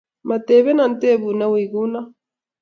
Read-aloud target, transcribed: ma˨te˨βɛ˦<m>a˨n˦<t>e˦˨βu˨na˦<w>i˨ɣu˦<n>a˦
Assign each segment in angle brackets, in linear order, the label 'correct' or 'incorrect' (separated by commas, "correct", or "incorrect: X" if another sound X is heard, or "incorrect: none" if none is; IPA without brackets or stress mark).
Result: incorrect: n, correct, correct, correct